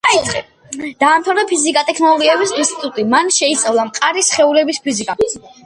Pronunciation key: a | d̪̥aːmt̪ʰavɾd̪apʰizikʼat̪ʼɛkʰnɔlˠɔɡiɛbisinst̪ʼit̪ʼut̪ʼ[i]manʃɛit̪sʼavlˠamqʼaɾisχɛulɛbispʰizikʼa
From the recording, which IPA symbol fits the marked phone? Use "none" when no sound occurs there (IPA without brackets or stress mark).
i